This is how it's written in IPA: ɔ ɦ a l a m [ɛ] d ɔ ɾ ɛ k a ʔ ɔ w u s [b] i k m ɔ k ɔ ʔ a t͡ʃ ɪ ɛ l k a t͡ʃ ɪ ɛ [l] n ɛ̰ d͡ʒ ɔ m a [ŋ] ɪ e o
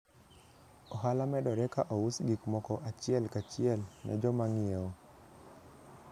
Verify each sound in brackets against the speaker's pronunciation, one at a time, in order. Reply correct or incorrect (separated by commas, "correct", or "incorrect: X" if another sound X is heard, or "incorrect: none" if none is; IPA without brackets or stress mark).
correct, incorrect: ɡ, correct, correct